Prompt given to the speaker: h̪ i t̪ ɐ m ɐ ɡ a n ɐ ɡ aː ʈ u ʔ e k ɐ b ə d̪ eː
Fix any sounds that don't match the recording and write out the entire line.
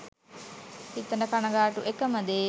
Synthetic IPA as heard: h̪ i t̪ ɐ n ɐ k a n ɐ ɡ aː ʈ u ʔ e k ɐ m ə d̪ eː